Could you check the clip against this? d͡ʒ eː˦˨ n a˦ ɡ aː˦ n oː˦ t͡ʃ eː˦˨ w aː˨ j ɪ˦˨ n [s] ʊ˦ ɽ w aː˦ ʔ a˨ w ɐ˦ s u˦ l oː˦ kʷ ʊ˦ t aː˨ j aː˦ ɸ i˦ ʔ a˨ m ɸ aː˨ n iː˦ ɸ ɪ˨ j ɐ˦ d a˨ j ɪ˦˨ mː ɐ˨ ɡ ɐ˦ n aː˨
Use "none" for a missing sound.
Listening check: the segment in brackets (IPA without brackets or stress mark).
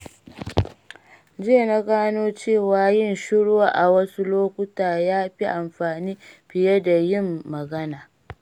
ʃ